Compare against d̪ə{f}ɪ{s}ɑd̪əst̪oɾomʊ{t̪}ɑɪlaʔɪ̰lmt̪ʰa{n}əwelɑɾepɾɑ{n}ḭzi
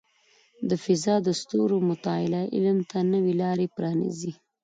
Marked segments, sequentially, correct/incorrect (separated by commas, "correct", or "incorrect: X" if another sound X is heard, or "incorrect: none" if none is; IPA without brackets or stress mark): correct, incorrect: z, correct, correct, correct